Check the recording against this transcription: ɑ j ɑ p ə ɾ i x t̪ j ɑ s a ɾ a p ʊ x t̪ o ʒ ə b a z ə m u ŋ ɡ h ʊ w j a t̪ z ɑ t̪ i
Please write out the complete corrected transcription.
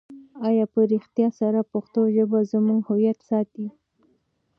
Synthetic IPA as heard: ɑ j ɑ p ə ɾ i x t̪ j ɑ s a ɾ a p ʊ x t̪ o ʒ ə b a z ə m u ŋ ɡ h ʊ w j a t̪ s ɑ t̪ i